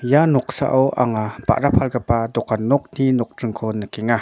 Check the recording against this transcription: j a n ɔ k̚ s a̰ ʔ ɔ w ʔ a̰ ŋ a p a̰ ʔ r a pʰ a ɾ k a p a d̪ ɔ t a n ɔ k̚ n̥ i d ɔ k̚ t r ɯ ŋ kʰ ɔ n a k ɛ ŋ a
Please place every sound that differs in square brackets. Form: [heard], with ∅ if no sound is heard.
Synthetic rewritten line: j a n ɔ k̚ s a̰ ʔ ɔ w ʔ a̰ ŋ a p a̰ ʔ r a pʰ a [l] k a p a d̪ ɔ [k] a n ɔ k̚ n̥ i [n] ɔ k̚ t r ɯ ŋ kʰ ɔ n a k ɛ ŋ a